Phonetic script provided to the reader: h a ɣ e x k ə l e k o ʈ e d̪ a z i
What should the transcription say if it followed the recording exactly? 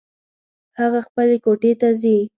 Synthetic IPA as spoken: h a ɣ a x p ə l e k o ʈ e t̪ a z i